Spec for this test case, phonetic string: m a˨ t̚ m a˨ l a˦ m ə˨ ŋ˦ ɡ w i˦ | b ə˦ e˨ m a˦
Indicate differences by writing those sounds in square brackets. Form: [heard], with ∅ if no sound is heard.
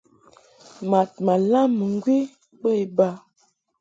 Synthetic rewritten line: m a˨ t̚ m a˨ l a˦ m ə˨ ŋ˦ ɡ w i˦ | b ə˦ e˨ [b] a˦